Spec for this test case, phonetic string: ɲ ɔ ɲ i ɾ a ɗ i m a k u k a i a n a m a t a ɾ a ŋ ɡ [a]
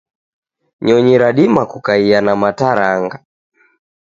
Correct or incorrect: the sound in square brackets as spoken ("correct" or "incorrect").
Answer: correct